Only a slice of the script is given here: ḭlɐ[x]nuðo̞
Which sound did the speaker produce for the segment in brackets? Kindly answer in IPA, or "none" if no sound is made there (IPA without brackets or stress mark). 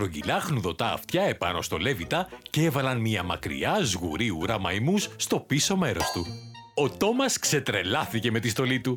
x